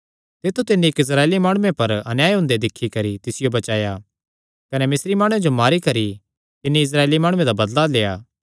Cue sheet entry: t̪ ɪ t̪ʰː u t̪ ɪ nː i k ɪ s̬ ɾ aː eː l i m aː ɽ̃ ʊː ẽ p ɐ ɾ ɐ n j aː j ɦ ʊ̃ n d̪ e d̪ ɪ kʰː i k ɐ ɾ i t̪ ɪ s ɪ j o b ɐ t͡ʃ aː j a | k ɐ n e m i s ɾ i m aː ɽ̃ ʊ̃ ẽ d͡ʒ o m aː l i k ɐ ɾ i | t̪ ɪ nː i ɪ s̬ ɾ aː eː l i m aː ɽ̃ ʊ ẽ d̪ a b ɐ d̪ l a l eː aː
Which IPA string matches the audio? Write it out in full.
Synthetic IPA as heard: t̪ ɪ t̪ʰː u t̪ ɪ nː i k ɪ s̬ ɾ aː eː l i m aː ɽ̃ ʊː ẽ p ɐ ɾ ɐ n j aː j ɦ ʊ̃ n d̪ e d̪ ɪ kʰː i k ɐ ɾ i t̪ ɪ s ɪ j o b ɐ t͡ʃ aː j a | k ɐ n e m ɪ s ɾ i m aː ɽ̃ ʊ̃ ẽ d͡ʒ o m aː ɾ i k ɐ ɾ i | t̪ ɪ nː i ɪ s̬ ɾ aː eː l i m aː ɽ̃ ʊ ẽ d̪ a b ɐ d̪ l a l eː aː